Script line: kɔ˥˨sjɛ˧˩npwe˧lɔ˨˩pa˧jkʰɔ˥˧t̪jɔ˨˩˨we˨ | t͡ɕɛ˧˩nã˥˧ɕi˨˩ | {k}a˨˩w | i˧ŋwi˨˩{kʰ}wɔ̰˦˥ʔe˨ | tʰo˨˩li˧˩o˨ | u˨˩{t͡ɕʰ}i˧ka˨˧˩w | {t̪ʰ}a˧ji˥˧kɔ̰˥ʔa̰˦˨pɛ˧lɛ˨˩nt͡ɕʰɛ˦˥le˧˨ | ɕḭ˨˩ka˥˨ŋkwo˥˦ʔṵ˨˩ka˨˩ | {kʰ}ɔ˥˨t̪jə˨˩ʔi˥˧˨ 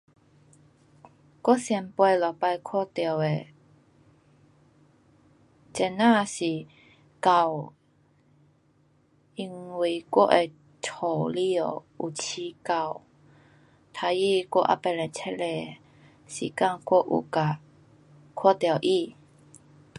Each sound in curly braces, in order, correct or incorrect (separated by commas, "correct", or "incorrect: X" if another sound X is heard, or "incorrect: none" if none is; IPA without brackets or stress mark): correct, incorrect: k, correct, correct, correct